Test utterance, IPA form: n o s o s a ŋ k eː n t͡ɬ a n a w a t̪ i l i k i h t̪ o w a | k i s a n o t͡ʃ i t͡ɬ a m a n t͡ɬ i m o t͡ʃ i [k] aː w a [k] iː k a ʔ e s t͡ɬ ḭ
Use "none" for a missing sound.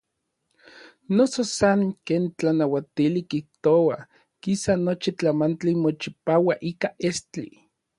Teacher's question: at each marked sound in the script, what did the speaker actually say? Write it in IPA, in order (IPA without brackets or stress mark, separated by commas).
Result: p, ʔ